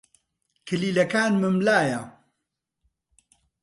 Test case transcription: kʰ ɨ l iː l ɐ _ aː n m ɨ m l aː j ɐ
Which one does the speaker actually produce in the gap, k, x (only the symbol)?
k